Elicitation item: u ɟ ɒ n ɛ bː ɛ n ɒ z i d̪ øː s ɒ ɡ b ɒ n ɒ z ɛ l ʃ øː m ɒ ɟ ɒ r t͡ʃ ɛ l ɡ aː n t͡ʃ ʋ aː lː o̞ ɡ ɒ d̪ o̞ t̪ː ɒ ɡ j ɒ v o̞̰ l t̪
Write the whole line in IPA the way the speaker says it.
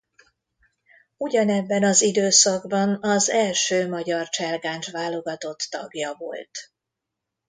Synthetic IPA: u ɟ ɒ n ɛ bː ɛ n ɒ z i d̪ øː s ɒ ɡ b ɒ n ɒ z ɛ l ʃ øː m ɒ ɟ ɒ r t͡ʃ ɛ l ɡ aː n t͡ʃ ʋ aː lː o̞ ɡ ɒ t̪ o̞ t̪ː ɒ ɡ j ɒ v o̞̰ l t̪